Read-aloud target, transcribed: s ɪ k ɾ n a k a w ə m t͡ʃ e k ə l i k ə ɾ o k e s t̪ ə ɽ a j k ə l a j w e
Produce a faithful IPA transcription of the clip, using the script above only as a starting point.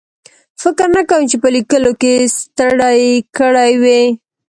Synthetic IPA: f ɪ k ɾ n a k a w ə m t͡ʃ e p ə l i k ə l o k e s t̪ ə ɽ a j k ə ɽ a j w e